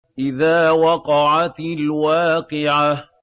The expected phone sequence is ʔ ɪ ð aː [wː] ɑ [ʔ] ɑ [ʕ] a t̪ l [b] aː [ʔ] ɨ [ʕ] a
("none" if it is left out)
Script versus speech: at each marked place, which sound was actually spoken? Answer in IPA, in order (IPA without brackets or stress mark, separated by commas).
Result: w, q, ʕ, w, q, ʕ